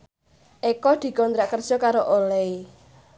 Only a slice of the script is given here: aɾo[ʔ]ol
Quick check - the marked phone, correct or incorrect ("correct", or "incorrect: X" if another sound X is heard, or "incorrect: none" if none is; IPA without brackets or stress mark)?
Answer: correct